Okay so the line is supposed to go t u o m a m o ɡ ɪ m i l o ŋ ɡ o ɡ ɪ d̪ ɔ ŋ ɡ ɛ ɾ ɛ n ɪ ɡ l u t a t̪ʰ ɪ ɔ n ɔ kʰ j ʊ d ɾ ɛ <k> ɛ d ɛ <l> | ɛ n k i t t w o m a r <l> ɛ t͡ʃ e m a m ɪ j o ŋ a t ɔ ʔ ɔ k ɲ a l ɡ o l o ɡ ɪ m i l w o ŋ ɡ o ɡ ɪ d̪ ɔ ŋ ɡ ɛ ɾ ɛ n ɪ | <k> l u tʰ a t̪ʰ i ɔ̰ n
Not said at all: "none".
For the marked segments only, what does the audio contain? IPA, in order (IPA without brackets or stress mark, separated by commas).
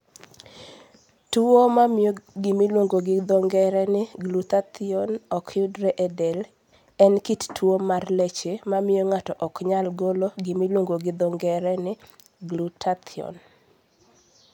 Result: ʔ, l, l, ɡ